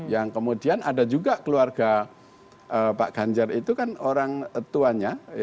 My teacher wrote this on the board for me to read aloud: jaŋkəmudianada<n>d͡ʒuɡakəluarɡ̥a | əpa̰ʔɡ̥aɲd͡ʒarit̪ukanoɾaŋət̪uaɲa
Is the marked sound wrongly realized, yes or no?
yes